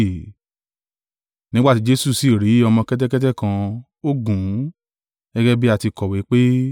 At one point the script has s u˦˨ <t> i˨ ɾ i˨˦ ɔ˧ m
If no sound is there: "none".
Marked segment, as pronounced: s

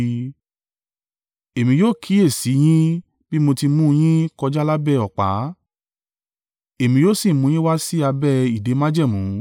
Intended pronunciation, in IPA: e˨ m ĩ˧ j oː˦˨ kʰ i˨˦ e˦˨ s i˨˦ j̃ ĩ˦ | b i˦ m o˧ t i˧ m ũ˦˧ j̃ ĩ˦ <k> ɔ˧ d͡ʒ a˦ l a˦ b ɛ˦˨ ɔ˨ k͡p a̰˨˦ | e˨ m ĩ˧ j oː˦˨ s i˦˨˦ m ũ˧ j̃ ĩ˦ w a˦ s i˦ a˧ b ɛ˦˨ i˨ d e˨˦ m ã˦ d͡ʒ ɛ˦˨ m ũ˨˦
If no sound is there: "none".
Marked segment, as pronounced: k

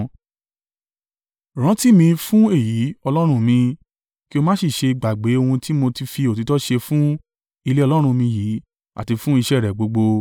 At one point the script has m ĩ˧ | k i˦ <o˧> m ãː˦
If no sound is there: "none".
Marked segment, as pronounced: o˧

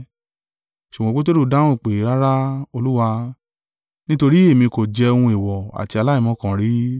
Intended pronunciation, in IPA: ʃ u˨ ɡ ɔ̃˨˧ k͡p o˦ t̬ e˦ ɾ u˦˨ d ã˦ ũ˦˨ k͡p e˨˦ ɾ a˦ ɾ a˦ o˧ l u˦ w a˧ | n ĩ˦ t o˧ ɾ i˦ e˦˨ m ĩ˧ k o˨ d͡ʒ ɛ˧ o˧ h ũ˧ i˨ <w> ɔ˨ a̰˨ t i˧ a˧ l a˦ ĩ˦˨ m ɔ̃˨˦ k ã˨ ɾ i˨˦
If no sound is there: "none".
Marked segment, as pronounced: w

